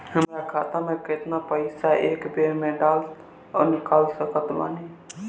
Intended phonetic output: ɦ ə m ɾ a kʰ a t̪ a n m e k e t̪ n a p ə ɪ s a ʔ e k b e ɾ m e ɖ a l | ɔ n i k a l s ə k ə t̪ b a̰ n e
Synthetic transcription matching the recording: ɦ ə m ɾ a kʰ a t̪ a m e k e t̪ n a p ə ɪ s a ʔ e k b e ɾ m e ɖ a l | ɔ n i k a l s ə k ə t̪ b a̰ n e